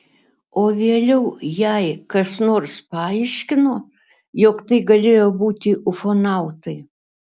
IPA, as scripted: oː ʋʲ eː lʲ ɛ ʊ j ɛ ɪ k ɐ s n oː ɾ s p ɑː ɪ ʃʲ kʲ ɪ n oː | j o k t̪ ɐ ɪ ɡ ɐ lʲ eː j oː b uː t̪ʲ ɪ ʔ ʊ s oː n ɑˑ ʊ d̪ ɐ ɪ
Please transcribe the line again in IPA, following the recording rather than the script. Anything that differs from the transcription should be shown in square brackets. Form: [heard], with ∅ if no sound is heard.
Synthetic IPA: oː ʋʲ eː lʲ ɛ ʊ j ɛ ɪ k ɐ s n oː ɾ s p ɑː ɪ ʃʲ kʲ ɪ n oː | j o k t̪ ɐ ɪ ɡ ɐ lʲ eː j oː b uː t̪ʲ ɪ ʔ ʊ [f] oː n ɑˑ ʊ [t̪] ɐ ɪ